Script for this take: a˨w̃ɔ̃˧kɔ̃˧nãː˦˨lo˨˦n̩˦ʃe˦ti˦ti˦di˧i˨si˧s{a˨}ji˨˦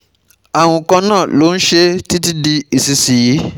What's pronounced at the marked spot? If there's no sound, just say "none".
i˨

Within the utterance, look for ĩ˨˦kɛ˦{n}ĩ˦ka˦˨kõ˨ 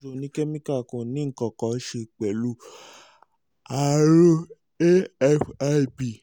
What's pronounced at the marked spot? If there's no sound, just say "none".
m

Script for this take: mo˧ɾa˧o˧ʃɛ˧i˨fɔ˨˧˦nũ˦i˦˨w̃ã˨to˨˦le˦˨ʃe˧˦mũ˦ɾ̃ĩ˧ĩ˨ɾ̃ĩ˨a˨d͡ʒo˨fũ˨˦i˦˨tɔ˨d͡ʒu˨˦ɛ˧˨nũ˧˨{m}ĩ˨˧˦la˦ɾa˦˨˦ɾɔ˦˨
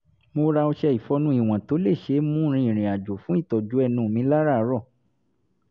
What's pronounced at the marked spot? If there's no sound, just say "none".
m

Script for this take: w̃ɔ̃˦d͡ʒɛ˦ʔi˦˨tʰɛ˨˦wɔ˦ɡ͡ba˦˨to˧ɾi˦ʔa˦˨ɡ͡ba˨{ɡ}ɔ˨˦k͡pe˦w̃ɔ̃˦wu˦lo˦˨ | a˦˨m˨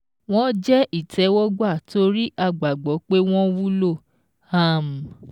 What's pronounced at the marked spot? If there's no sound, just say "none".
ɡ͡b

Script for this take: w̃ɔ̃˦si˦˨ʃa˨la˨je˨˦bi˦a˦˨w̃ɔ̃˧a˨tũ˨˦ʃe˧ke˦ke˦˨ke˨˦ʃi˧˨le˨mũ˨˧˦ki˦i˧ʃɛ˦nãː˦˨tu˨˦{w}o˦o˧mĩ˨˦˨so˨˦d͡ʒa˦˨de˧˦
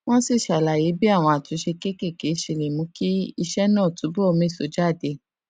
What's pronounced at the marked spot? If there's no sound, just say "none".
b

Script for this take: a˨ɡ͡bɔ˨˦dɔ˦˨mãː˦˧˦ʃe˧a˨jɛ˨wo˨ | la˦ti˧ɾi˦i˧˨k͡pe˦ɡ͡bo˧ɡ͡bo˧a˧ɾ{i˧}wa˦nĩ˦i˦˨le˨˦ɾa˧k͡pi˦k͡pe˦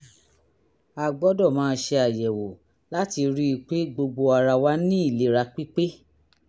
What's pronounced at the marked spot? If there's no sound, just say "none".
a˧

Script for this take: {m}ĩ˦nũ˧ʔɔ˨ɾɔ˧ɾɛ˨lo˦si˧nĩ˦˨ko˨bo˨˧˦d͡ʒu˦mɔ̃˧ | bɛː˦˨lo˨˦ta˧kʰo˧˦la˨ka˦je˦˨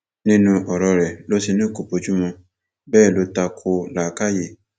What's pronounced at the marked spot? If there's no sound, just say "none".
n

